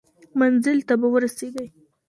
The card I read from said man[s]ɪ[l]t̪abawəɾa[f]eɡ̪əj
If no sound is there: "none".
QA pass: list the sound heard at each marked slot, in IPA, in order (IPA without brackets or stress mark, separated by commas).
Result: z, l, s